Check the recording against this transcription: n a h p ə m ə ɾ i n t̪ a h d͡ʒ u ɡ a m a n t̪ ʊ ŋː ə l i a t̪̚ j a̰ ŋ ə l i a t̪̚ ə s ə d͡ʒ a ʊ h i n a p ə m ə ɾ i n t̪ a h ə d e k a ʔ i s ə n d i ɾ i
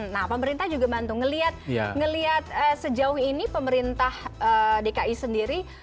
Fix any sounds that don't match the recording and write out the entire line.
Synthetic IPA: n a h p ə m ə ɾ i n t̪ a h d͡ʒ u ɡ a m a n t̪ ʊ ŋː ə l i a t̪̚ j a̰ ŋ ə l i a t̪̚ ə s ə d͡ʒ a ʊ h i n i p ə m ə ɾ i n t̪ a h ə d e k a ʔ i s ə n d i ɾ i